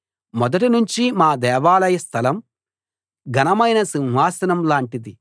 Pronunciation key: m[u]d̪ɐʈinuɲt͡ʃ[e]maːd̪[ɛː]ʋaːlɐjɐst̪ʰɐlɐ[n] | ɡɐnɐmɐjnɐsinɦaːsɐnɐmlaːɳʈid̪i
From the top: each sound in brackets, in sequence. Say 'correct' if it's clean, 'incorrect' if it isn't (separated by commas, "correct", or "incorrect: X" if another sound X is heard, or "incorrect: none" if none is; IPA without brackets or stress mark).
incorrect: ɔ, incorrect: i, correct, incorrect: m